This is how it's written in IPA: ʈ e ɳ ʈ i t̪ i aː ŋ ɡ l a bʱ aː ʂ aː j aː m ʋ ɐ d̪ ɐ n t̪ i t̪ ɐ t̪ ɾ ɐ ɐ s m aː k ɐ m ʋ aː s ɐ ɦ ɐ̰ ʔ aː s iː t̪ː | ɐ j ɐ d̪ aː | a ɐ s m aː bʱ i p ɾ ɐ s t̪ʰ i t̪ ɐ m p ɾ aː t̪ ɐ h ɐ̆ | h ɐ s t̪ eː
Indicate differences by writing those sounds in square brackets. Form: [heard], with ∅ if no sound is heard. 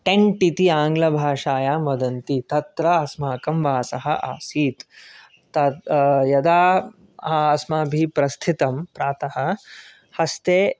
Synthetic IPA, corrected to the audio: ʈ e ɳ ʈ i t̪ i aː ŋ ɡ l [ɐ] bʱ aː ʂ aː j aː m ʋ ɐ d̪ ɐ n t̪ i t̪ ɐ t̪ ɾ ɐ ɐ s m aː k ɐ m ʋ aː s ɐ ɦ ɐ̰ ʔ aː s iː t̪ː | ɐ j ɐ d̪ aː | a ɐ s m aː bʱ i p ɾ ɐ s t̪ʰ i t̪ ɐ m p ɾ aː t̪ ɐ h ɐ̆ | h ɐ s t̪ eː